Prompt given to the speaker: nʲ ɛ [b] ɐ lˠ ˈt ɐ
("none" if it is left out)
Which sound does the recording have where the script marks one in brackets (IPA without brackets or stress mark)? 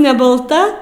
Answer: b